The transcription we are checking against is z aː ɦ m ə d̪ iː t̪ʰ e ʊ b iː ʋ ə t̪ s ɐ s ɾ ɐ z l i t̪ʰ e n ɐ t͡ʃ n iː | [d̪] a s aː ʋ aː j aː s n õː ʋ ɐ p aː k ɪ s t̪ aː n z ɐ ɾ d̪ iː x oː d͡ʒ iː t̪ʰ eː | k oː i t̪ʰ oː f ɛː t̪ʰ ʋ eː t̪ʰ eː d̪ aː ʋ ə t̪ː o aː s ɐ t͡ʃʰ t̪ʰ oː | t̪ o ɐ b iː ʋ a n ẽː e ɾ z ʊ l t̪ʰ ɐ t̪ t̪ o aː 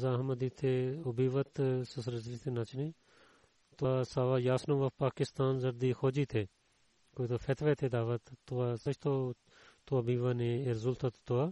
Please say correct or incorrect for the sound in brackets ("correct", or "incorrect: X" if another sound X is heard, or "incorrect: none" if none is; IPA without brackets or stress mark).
incorrect: t̪